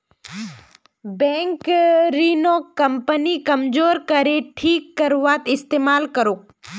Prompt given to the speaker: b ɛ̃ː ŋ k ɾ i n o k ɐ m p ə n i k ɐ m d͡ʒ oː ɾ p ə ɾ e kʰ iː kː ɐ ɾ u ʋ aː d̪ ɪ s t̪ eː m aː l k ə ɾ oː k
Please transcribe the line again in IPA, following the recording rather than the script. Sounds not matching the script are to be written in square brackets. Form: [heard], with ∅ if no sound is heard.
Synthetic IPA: b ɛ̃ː ŋ k ɾ i n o k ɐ m p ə n i k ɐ m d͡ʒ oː ɾ [k] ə ɾ e [ʈʰ] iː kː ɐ ɾ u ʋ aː [t̪] ɪ s t̪ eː m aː l k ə ɾ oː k